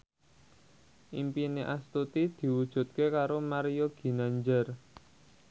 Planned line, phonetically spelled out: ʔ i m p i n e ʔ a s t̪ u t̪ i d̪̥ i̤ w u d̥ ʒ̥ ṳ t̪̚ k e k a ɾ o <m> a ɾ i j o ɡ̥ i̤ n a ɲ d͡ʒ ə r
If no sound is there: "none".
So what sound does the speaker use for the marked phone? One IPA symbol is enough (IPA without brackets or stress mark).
m